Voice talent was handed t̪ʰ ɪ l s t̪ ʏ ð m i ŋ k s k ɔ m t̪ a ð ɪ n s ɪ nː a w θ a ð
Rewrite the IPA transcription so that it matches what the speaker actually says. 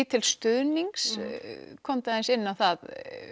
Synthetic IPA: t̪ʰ ɪ l s t̪ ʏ ð n i ŋ k s kʰ ɔ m t̪ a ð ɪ n s ɪ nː a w θ a ð